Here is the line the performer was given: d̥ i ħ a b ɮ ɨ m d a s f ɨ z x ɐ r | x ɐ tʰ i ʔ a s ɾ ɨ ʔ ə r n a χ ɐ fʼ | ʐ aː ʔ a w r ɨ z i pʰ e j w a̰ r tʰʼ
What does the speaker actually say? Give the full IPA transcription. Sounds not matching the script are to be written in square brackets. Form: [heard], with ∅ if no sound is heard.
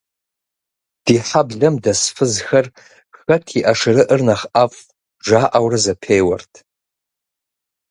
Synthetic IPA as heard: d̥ i ħ a b ɮ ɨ m d a s f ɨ z x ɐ r | x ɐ tʰ i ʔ a [ʂ] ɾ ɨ ʔ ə r n a χ [a] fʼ | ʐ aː ʔ a w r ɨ z [a] pʰ e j w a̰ r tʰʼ